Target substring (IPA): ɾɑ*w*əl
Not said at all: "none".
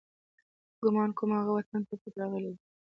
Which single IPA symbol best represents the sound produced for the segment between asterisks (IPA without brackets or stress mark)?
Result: ɣ